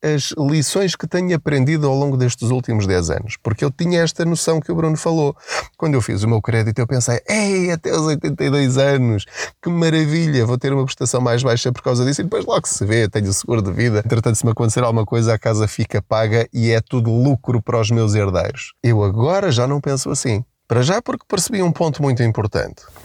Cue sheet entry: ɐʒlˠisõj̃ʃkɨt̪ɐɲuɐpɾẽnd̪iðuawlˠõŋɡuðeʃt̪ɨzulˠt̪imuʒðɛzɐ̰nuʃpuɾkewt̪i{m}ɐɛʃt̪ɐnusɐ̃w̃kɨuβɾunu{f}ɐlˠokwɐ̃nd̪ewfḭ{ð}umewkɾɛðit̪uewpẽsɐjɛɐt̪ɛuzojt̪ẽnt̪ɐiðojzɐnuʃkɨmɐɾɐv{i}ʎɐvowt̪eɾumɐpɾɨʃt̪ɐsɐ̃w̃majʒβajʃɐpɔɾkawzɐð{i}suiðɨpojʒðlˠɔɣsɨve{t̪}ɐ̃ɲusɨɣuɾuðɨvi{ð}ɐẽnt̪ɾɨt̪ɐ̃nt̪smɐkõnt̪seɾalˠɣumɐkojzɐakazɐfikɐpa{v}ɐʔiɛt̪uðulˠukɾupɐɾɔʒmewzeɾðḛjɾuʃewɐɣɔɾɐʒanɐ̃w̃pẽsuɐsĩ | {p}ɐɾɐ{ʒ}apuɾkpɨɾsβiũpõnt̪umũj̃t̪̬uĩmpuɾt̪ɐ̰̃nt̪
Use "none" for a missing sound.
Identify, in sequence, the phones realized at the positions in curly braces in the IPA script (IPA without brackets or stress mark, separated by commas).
ɲ, f, z, i, i, t̪, ð, ɣ, p, ʒ